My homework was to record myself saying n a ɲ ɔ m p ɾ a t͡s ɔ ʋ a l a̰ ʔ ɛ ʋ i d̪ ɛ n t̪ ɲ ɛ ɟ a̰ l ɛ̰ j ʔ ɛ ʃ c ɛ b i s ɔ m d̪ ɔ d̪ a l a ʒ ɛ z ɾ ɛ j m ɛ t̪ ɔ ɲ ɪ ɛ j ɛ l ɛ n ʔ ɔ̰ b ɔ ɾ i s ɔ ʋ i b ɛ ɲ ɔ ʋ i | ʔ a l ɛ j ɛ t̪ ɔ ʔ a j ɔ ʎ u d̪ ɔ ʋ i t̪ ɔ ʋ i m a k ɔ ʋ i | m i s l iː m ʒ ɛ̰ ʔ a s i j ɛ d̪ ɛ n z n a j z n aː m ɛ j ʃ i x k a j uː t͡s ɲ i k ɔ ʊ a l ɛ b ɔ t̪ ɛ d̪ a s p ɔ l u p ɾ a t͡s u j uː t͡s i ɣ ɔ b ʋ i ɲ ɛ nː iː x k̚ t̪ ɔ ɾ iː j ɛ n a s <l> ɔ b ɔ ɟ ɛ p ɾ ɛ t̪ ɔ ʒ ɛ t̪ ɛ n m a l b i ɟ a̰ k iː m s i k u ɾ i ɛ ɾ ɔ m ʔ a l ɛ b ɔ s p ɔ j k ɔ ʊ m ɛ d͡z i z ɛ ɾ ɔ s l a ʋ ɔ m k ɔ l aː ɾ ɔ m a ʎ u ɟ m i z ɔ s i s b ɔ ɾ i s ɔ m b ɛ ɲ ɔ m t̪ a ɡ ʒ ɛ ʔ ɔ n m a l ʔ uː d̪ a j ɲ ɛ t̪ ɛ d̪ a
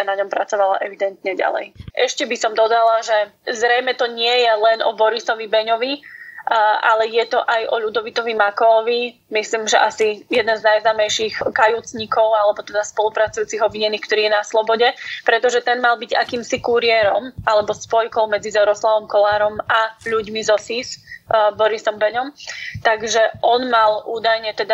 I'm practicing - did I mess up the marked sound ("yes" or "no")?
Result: no